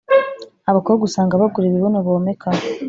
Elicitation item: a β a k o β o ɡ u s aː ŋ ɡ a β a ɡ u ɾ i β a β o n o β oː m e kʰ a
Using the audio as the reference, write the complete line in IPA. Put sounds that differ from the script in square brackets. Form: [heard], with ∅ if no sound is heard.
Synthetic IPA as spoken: a β a k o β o ɡ u s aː ŋ ɡ a β a ɡ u ɾ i β [i] β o n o β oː m e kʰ a